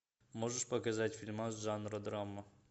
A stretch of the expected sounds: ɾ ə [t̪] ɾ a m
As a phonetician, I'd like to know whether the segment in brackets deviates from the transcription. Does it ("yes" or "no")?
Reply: yes